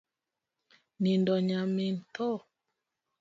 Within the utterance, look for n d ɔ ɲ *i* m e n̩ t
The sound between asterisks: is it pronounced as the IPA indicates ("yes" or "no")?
no